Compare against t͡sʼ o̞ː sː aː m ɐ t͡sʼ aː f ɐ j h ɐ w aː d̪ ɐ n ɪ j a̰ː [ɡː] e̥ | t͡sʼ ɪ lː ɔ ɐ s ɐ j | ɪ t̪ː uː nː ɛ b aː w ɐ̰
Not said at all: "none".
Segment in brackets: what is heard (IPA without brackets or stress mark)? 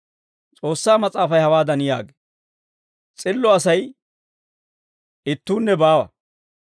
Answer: ɡ